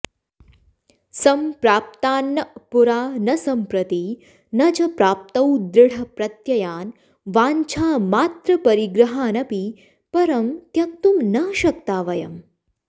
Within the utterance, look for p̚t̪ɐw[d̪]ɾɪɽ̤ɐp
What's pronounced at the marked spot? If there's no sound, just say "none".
d̪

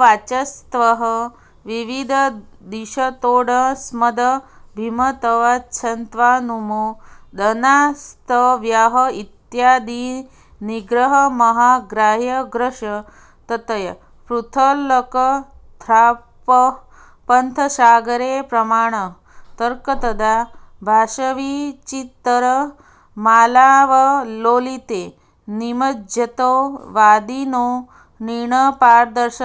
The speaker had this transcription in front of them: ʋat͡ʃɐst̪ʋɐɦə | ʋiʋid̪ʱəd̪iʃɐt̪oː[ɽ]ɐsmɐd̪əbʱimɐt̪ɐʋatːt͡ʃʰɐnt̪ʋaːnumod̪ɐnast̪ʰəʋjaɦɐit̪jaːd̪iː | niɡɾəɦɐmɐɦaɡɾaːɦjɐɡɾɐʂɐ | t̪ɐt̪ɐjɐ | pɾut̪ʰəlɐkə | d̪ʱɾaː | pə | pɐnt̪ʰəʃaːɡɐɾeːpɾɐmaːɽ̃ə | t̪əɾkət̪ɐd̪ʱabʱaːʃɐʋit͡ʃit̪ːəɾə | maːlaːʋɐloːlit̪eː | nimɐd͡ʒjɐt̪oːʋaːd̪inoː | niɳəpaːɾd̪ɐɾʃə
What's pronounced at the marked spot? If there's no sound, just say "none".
ɽ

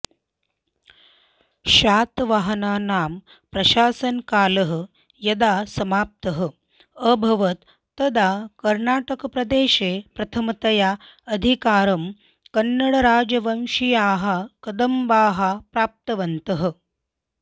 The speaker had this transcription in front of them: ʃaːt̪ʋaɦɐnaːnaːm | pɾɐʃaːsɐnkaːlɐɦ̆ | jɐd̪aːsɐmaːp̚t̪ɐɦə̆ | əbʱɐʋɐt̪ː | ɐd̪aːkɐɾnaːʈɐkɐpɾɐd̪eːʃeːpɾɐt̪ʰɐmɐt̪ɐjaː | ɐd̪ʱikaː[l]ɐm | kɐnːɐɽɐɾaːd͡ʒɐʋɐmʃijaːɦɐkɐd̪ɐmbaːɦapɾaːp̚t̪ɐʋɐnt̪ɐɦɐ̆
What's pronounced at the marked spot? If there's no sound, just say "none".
ɾ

